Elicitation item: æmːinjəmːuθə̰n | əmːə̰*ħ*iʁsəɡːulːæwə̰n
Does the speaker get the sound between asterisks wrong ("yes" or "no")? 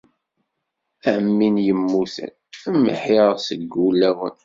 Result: no